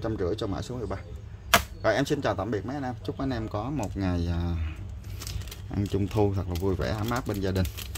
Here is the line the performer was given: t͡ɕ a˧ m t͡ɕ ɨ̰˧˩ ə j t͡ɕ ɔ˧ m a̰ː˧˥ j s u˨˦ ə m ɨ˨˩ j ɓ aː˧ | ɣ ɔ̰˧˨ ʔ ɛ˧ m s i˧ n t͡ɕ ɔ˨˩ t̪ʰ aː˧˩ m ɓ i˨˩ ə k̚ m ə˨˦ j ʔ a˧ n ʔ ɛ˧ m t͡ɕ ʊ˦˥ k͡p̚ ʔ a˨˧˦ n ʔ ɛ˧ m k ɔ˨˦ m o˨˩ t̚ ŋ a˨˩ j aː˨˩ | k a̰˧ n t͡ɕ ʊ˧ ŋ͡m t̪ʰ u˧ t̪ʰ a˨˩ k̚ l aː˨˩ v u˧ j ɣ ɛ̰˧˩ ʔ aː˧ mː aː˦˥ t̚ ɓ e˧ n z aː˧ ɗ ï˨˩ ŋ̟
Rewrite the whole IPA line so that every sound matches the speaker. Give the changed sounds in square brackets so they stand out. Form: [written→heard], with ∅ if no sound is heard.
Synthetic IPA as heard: t͡ɕ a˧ m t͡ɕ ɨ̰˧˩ ə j t͡ɕ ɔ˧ m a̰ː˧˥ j s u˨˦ ə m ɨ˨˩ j ɓ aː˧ | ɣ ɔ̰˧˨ ʔ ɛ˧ m s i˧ n t͡ɕ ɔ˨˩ [t̪ʰ→t̪] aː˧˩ m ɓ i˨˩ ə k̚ m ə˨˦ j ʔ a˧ n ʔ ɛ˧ m t͡ɕ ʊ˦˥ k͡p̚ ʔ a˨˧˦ n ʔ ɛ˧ m k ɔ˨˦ m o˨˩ t̚ ŋ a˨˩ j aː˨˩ | [k→ʔ] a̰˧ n t͡ɕ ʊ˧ ŋ͡m t̪ʰ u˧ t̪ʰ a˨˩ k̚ l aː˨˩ v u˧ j [ɣ→v] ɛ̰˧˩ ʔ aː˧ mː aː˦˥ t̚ ɓ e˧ n z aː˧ ɗ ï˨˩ ŋ̟

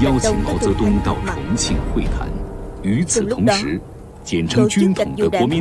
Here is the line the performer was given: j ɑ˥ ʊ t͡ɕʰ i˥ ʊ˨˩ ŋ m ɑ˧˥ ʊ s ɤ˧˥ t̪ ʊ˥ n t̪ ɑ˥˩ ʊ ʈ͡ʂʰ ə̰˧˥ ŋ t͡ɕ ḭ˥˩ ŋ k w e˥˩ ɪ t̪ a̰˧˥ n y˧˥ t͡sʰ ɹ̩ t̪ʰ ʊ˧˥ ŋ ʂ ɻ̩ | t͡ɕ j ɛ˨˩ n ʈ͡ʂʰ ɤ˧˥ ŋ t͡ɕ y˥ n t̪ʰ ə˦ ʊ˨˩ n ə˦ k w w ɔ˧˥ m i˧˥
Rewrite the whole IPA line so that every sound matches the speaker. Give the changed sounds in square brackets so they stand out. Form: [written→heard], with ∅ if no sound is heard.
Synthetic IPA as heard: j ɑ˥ ʊ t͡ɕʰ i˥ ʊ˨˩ ŋ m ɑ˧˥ ʊ [s→t͡s] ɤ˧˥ t̪ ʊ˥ [n→ŋ] t̪ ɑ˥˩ ʊ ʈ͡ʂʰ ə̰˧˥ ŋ [t͡ɕ→t͡ɕʰ] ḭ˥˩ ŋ [k→x] w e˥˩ ɪ [t̪→t̪ʰ] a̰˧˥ n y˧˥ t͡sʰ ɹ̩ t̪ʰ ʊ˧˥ ŋ ʂ ɻ̩ | t͡ɕ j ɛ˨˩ n ʈ͡ʂʰ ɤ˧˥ ŋ t͡ɕ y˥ n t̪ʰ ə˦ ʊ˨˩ [n→ŋ] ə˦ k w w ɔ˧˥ m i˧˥

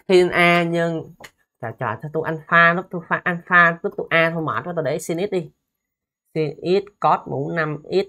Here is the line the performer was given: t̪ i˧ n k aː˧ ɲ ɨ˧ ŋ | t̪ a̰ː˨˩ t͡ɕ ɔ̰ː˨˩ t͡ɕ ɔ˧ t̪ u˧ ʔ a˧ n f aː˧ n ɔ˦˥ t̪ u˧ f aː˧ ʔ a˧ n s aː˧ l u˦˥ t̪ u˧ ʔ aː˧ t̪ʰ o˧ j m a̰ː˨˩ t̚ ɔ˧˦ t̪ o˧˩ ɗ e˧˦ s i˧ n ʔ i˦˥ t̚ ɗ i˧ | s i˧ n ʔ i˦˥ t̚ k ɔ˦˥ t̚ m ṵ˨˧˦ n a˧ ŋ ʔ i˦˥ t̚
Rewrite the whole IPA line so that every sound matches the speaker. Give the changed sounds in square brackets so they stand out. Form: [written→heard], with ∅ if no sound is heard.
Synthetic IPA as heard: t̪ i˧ n [k→ʔ] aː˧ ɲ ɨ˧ ŋ | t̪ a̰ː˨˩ t͡ɕ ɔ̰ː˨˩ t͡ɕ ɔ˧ t̪ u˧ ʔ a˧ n f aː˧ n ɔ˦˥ t̪ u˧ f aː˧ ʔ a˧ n [s→f] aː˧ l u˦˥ t̪ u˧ ʔ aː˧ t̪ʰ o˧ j m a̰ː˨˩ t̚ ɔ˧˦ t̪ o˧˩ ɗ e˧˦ s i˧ n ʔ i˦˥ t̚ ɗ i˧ | s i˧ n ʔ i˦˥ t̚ k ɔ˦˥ t̚ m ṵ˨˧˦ n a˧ [ŋ→m] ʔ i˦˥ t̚

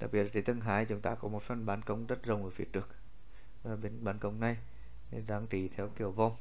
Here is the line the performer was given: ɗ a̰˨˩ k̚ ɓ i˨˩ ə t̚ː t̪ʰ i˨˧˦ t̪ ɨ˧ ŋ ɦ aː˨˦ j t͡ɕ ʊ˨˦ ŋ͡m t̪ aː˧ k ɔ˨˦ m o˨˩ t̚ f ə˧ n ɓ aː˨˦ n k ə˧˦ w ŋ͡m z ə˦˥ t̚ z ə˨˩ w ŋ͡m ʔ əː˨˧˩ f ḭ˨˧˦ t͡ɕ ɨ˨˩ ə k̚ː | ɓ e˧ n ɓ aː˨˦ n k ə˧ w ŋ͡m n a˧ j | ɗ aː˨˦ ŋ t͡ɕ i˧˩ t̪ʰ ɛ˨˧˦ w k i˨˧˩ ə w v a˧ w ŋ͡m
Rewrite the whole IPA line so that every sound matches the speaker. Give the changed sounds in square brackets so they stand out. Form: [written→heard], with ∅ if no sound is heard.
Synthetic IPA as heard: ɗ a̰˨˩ k̚ ɓ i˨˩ ə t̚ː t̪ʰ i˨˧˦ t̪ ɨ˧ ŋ ɦ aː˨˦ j t͡ɕ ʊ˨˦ ŋ͡m t̪ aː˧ k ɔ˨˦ m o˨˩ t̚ f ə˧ n ɓ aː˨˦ n k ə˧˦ w ŋ͡m z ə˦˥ t̚ z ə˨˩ w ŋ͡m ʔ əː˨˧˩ f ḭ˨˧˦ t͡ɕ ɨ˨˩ ə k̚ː | ɓ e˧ n ɓ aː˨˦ n k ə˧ w ŋ͡m n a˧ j | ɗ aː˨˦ ŋ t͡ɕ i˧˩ t̪ʰ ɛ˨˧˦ w k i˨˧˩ ə w v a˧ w ŋ͡m

